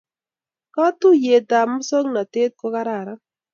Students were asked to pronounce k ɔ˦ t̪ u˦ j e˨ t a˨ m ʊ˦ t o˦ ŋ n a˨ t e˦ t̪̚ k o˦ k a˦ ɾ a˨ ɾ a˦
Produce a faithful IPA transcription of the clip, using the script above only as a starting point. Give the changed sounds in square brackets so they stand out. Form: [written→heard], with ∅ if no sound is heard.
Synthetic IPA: k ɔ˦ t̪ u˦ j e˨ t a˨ m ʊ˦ [t→s] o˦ ŋ n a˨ t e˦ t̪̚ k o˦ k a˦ ɾ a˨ ɾ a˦